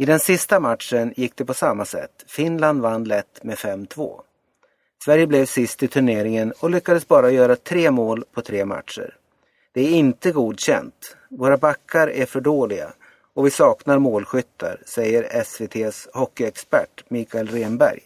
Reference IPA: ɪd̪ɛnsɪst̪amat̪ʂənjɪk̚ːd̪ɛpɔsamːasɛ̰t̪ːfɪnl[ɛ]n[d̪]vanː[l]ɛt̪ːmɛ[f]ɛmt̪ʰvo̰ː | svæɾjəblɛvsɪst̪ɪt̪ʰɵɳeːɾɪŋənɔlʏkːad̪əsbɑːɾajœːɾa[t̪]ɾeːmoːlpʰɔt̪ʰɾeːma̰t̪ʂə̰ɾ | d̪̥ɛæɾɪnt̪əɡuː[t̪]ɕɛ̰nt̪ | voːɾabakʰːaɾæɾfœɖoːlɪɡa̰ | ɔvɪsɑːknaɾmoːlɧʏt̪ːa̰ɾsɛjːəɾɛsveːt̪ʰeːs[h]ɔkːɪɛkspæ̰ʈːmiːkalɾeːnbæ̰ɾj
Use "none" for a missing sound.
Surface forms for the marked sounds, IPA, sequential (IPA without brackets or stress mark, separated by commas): a, d̪, l, f, t̪ʰ, d̪, h